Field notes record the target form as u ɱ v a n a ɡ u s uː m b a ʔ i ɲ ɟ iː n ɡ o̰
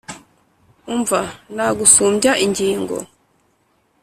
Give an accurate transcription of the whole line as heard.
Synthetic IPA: u ɱ v a n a ɡ u s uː m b a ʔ i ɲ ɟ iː ŋ ɡ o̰